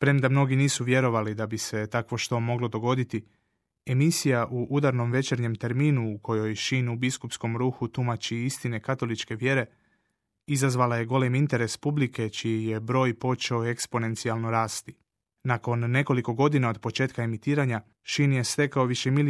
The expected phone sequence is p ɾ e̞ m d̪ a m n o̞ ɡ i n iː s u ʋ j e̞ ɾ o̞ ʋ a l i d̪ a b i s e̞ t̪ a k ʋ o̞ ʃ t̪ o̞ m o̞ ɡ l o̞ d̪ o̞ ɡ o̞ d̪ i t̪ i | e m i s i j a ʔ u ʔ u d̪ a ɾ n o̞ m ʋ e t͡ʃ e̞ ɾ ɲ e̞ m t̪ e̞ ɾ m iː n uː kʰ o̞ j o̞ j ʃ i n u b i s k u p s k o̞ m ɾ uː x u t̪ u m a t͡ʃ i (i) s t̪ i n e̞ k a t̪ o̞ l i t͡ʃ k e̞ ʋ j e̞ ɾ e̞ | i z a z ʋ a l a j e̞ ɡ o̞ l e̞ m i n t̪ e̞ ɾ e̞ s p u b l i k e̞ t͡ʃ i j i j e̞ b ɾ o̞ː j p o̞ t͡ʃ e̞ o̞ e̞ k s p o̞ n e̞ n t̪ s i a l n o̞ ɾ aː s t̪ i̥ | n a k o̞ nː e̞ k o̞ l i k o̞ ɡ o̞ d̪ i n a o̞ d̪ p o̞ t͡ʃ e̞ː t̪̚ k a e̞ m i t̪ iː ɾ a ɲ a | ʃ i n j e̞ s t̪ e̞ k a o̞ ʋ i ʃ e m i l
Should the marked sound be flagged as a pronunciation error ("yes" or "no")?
no